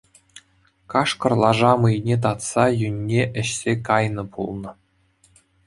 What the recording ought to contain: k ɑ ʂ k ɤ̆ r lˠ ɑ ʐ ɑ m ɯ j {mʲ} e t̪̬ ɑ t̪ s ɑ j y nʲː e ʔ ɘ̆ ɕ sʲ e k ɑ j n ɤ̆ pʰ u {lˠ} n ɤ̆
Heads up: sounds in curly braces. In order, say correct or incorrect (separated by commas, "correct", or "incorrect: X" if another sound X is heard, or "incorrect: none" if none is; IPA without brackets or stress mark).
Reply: incorrect: nʲ, correct